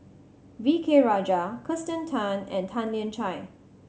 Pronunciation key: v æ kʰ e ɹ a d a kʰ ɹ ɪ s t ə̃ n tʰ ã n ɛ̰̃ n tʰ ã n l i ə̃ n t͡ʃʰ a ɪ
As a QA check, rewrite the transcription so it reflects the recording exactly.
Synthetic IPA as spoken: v i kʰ e ɹ a d͡ʒ a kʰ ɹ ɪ s t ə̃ n tʰ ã n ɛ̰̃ n tʰ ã n l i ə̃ n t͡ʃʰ a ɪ